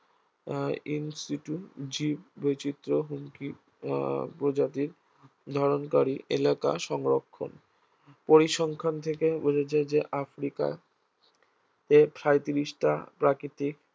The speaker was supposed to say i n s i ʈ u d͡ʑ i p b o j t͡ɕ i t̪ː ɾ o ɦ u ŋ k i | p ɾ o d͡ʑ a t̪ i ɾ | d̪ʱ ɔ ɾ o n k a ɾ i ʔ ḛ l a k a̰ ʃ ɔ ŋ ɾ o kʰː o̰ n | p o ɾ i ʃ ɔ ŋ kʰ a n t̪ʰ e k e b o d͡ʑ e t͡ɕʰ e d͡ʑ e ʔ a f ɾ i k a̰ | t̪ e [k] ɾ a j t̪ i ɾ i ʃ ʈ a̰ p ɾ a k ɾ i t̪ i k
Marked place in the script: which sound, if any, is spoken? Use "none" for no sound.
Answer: p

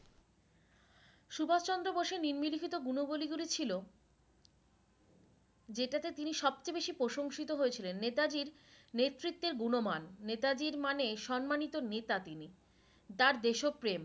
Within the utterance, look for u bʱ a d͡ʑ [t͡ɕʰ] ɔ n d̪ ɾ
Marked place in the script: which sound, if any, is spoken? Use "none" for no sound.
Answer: t͡ɕ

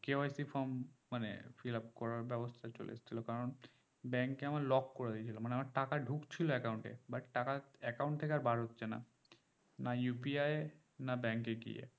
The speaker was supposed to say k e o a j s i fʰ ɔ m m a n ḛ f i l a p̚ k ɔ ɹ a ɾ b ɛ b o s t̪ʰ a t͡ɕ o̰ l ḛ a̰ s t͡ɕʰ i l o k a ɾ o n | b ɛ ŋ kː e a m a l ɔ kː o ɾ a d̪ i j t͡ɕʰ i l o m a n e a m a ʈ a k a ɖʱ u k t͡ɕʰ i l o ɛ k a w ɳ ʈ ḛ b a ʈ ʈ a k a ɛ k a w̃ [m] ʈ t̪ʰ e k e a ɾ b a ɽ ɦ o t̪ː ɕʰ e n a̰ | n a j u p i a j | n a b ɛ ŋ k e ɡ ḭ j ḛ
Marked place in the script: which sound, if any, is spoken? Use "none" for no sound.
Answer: ɳ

